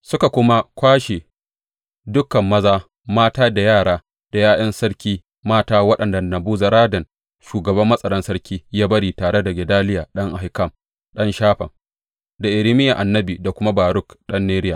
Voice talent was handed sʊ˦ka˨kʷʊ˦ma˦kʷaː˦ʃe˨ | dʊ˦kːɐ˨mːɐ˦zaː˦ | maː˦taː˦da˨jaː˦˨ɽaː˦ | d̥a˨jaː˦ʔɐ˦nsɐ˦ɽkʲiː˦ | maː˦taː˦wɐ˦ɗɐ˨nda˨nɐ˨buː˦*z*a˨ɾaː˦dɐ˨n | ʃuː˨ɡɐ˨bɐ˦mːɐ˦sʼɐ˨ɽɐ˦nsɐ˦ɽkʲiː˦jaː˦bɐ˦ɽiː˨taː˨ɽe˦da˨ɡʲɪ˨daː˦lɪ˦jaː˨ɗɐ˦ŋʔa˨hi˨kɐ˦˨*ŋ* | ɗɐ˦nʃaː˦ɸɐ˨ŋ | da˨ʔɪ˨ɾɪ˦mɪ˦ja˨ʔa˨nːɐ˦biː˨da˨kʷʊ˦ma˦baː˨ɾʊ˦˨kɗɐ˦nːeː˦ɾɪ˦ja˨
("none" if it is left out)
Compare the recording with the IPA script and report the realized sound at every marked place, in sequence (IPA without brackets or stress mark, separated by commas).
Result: z, m